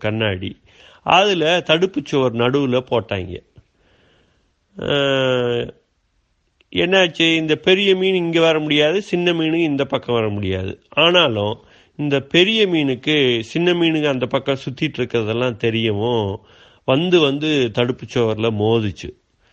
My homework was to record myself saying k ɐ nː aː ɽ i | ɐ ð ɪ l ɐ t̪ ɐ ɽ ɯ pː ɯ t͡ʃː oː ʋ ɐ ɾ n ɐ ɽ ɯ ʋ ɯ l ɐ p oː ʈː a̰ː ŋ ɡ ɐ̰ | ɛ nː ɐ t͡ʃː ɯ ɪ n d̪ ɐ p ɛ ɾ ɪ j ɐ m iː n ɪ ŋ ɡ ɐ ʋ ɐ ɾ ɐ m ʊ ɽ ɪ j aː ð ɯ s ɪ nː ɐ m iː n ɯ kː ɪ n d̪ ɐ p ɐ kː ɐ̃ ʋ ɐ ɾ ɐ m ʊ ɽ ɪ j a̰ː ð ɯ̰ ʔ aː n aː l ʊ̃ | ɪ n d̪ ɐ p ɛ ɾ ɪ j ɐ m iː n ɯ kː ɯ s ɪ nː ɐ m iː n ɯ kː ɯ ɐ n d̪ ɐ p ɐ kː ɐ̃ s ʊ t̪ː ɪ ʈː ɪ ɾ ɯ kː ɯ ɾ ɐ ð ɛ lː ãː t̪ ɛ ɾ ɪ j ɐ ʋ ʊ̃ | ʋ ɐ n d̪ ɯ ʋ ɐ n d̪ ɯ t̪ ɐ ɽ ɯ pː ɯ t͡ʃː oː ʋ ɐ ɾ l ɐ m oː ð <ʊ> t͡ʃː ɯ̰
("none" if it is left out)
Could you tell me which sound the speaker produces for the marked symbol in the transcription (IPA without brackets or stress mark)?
ɯ